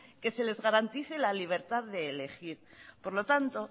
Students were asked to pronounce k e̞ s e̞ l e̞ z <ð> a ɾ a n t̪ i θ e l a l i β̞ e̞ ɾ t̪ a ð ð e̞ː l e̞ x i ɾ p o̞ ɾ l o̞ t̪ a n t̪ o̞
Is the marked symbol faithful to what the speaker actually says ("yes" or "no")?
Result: no